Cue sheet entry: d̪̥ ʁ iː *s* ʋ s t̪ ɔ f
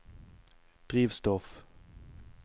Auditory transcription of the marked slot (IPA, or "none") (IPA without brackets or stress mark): none